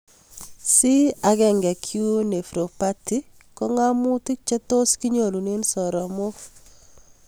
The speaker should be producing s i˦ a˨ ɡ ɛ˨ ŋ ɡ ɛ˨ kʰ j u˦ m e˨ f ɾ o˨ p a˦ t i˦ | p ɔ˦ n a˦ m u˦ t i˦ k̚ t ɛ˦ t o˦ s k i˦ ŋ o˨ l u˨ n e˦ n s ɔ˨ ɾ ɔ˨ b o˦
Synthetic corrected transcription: s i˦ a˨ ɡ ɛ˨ ŋ ɡ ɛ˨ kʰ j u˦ n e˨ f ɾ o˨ p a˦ t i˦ | k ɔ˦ ŋ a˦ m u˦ t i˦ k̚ t͡ʃ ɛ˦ t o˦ s k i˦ ɲ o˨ l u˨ n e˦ n s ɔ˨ ɾ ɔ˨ m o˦